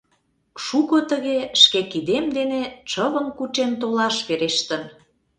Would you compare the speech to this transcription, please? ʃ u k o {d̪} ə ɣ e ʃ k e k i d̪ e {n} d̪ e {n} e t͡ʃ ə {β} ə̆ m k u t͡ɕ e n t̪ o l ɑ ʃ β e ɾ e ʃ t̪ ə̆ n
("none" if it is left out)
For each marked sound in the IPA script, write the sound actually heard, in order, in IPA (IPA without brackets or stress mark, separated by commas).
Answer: t̪, m, n, β